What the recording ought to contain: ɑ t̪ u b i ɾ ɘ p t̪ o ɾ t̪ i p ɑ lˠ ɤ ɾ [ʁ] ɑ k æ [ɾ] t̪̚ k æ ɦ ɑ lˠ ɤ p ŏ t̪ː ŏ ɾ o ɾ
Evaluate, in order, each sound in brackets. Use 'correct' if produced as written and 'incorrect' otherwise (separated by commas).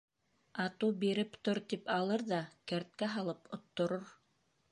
incorrect, correct